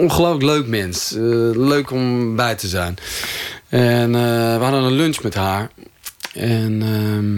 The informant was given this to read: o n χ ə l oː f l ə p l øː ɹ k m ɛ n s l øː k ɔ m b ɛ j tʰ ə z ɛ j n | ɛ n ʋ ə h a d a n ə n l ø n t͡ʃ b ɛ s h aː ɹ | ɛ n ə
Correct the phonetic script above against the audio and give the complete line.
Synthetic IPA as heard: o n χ ə l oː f l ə k l øː k m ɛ n s l øː k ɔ m b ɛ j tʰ ə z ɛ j n | ɛ n ʋ ə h a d ə n ə n l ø n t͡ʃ m ɛ t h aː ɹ | ɛ n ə